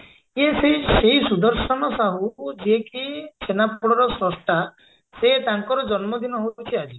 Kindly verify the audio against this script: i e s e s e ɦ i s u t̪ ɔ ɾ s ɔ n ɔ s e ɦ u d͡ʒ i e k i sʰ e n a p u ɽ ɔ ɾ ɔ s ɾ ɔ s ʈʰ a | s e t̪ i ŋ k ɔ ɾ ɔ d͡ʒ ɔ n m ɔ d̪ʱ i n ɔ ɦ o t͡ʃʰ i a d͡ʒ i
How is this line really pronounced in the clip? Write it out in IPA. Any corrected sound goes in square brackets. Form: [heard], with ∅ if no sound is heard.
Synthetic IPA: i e s e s e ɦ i s u [d̪] ɔ ɾ s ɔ n ɔ s [a] ɦ u d͡ʒ i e k i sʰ e n a p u ɽ ɔ ɾ ɔ s ɾ ɔ s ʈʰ a | s e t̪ [a] ŋ k ɔ ɾ ɔ d͡ʒ ɔ n m ɔ d̪ʱ i n ɔ ɦ o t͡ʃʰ i a d͡ʒ i